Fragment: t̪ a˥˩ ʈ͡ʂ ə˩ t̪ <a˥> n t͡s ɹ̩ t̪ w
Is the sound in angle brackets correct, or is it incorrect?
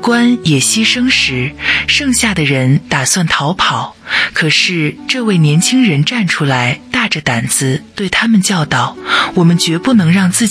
incorrect